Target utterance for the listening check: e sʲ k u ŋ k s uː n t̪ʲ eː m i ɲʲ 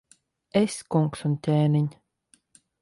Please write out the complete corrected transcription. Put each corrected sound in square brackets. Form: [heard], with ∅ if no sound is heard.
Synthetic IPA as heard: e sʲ k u ŋ k s [u] n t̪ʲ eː [n] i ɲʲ